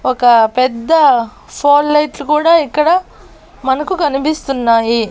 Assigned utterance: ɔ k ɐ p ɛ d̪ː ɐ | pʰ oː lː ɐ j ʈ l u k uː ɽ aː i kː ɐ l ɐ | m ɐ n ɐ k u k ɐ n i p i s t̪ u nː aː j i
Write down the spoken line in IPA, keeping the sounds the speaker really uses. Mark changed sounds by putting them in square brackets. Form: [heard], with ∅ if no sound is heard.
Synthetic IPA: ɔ k ɐ p ɛ d̪ː ɐ | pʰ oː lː ɐ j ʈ l u k uː ɽ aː i kː ɐ [ɽ] ɐ | m ɐ n ɐ k u k ɐ n i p i s t̪ u nː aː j i